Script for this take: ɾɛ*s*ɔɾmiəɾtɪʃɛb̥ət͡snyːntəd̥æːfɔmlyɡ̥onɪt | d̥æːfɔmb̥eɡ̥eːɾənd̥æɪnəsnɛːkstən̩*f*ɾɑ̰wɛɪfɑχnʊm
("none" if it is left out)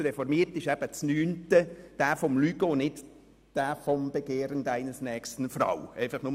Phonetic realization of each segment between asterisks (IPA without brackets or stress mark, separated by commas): f, f